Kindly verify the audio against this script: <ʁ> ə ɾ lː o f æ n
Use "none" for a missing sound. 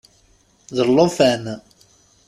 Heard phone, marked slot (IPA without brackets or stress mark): ð